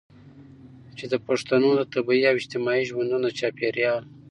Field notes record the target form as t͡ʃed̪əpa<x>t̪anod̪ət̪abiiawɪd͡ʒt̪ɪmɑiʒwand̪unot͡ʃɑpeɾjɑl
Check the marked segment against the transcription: incorrect: ʂ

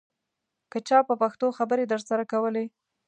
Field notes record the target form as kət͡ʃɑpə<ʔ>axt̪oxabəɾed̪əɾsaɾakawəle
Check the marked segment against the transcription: incorrect: p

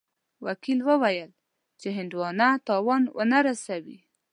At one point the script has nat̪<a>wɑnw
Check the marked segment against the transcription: incorrect: ɑ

